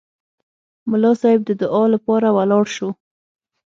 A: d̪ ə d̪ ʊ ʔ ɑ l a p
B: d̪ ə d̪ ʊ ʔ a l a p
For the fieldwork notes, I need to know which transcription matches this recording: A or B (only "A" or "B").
A